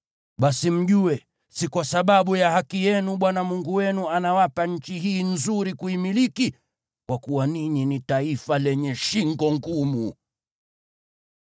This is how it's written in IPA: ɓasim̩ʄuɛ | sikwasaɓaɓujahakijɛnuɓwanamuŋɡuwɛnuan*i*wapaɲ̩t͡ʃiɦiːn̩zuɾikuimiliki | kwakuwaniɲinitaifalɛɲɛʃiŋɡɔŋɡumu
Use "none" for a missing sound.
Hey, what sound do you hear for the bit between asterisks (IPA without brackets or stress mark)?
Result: a